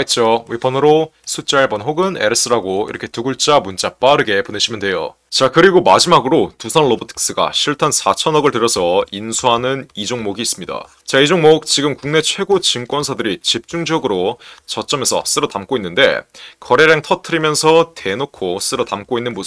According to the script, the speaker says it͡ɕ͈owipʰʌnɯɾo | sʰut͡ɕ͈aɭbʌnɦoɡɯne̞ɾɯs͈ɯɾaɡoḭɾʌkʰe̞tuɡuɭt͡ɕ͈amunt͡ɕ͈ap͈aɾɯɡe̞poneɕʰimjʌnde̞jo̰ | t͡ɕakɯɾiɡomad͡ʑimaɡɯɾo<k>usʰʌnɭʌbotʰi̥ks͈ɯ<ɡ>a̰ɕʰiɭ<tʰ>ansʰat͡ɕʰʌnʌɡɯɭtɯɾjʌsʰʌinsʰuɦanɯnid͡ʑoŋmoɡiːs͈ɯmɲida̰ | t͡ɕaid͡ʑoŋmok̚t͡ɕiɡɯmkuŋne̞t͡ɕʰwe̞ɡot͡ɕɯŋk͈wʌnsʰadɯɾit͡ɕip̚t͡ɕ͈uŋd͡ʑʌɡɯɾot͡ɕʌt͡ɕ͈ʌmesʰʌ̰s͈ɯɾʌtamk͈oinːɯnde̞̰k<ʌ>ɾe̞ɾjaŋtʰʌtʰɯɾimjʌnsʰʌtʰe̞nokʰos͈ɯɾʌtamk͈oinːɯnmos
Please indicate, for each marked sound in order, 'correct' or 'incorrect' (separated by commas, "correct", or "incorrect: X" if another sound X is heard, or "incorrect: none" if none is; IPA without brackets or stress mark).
incorrect: t, correct, correct, correct